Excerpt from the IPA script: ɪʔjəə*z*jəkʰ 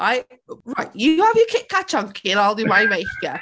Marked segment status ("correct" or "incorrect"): incorrect